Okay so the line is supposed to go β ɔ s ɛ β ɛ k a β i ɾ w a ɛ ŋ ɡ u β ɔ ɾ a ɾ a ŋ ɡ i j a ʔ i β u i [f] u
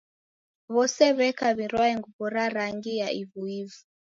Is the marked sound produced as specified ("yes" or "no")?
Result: no